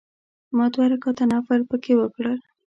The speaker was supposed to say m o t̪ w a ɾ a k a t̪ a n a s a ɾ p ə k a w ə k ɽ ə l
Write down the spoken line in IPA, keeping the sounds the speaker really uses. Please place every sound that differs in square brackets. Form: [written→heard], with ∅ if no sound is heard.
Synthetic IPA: m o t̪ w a ɾ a k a t̪ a n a [s→f] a ɾ p ə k [a→e] w ə k ɽ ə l